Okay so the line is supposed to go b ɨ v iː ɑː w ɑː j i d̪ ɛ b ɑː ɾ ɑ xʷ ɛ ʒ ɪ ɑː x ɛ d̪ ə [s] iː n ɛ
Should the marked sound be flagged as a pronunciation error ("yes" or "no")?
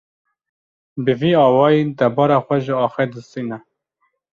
no